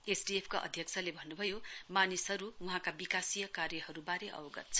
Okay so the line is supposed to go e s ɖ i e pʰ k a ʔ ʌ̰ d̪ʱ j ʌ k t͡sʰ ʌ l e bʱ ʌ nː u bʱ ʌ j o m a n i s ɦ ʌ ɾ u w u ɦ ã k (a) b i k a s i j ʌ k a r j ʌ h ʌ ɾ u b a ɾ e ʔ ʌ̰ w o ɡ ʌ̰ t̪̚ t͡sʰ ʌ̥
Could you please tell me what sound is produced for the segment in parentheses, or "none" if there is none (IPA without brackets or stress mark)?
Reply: a